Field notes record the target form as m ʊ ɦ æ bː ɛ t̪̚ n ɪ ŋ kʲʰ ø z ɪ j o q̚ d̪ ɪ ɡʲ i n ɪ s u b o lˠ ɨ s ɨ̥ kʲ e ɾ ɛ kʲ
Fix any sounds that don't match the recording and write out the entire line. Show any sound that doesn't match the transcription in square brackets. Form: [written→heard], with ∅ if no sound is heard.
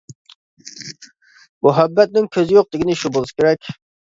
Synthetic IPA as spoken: m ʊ ɦ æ bː ɛ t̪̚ n ɪ ŋ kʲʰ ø z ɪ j o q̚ d̪ ɪ ɡʲ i n ɪ [s→ʃ] u b o lˠ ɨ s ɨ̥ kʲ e ɾ ɛ kʲ